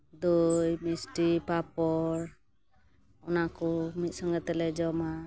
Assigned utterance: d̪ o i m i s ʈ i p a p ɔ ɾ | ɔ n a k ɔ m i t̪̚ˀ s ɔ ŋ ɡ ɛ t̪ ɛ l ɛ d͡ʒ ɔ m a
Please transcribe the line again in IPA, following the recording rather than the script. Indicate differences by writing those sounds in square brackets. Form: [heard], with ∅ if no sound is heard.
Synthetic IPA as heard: d̪ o [j] m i s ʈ i p a p ɔ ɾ | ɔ n a k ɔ m i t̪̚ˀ s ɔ ŋ ɡ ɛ t̪ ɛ l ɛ d͡ʒ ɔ m a